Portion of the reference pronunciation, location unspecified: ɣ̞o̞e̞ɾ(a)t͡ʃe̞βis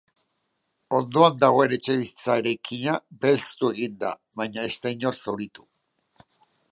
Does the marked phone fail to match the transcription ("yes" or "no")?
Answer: yes